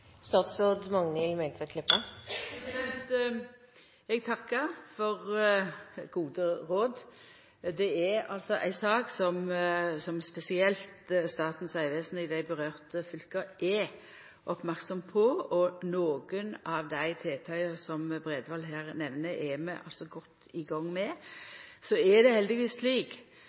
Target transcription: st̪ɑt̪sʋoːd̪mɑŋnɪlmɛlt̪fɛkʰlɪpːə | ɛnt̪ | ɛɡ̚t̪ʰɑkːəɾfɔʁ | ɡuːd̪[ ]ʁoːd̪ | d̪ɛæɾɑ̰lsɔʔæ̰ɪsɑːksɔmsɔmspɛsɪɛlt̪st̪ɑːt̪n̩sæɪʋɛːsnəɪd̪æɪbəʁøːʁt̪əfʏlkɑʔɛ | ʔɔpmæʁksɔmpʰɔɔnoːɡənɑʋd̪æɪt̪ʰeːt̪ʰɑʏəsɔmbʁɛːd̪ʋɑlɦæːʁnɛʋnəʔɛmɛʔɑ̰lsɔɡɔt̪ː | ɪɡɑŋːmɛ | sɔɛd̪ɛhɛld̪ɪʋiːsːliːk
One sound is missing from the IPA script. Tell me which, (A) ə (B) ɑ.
A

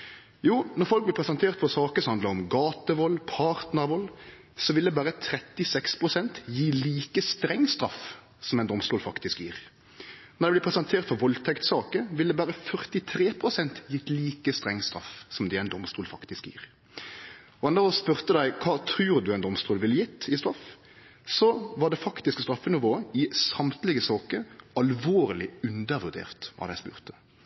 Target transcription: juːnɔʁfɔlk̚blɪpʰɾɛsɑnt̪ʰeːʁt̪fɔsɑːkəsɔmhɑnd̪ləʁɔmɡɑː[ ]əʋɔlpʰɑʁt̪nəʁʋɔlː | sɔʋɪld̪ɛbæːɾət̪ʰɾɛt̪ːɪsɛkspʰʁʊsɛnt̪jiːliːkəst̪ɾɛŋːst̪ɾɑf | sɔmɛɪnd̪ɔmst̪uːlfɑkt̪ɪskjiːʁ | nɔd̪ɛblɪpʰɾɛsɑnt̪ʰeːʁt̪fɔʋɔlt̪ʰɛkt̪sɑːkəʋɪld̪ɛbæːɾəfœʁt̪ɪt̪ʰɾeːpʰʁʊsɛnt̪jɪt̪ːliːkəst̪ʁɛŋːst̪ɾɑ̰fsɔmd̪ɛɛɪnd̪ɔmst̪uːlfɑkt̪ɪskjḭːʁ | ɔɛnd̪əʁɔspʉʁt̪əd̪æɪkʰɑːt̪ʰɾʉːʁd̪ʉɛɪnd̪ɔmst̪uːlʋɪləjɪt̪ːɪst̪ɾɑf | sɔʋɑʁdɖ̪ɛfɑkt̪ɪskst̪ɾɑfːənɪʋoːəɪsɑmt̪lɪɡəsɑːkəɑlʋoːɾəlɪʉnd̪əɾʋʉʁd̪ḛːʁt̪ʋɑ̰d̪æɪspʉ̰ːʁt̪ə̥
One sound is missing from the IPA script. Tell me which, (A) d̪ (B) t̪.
B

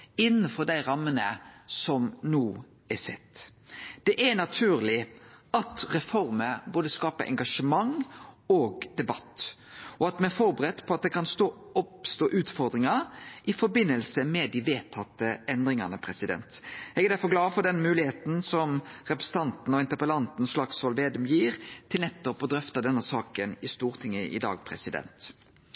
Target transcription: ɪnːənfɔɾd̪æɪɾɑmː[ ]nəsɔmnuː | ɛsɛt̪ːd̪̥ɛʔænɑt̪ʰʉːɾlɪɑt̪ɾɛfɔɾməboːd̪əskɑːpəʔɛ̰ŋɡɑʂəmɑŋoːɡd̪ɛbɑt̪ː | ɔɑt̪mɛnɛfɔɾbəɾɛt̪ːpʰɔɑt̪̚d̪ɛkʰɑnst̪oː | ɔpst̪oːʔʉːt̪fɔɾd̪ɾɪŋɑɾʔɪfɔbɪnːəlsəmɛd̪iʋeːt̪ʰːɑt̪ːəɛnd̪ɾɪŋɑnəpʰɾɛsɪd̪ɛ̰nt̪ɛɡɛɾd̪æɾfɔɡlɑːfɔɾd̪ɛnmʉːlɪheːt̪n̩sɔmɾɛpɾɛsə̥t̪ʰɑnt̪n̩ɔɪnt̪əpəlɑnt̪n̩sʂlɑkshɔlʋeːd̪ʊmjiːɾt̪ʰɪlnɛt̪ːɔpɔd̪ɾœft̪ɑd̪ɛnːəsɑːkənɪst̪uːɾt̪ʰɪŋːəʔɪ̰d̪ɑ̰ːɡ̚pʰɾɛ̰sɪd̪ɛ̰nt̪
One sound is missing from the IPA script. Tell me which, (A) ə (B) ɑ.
A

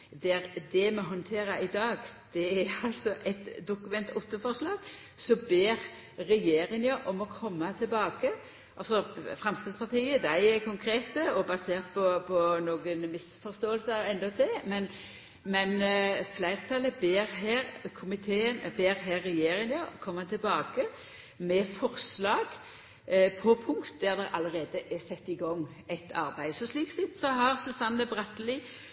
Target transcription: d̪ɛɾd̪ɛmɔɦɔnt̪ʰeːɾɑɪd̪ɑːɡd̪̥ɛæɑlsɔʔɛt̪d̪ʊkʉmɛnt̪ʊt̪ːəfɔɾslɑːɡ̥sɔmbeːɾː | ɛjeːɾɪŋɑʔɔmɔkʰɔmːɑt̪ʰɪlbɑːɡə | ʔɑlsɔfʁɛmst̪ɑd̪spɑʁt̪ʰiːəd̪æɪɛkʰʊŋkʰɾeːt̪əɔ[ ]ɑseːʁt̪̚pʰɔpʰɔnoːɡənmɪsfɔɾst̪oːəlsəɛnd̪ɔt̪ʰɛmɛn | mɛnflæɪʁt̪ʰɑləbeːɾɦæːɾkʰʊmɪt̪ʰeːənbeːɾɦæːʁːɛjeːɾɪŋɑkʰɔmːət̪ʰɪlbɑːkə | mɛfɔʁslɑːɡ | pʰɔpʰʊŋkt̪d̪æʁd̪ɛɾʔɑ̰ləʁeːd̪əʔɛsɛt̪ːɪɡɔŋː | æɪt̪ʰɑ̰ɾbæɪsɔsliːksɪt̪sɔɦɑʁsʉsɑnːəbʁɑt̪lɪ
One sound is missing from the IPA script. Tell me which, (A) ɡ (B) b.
B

